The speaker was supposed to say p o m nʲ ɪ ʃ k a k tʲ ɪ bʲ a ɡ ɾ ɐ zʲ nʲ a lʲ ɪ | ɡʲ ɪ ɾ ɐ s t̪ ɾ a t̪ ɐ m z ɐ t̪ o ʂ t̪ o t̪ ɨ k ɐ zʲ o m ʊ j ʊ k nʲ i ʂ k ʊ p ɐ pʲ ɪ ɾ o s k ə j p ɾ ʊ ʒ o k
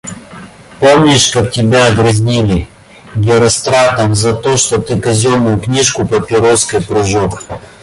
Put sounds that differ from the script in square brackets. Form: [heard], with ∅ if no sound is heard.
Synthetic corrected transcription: p o m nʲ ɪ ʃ k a k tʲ ɪ bʲ a ɡ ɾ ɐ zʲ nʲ [i] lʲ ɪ | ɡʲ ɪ ɾ ɐ s t̪ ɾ a t̪ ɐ m z ɐ t̪ o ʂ t̪ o t̪ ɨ k ɐ zʲ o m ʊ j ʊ k nʲ i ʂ k ʊ p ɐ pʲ ɪ ɾ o s k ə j p ɾ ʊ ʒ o k